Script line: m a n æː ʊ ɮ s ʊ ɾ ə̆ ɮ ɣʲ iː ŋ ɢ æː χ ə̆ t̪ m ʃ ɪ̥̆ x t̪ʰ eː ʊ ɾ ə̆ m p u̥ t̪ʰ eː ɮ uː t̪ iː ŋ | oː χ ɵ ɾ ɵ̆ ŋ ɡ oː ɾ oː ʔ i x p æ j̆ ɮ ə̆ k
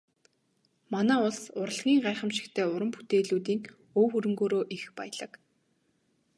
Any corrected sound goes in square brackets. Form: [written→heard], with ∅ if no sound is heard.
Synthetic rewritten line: m a n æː ʊ ɮ s ʊ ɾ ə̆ ɮ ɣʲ iː ŋ ɢ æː χ ə̆ [t̪→∅] m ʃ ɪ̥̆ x t̪ʰ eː ʊ ɾ ə̆ m p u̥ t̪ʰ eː ɮ uː t̪ iː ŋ | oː [χ→x] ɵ ɾ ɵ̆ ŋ ɡ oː ɾ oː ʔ i x p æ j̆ ɮ ə̆ k